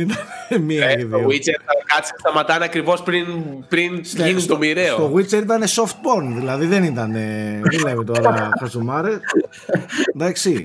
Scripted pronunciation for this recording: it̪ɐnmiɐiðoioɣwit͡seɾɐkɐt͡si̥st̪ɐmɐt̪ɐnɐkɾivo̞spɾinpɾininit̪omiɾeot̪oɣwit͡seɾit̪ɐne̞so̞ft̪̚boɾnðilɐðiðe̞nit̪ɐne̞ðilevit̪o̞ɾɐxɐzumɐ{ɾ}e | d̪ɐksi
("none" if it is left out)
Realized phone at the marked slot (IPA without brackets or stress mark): ɾ